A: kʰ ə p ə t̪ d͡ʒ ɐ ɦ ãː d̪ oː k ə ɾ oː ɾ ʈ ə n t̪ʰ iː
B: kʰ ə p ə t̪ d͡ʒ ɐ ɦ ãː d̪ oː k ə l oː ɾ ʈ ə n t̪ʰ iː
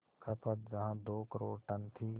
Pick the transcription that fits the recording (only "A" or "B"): A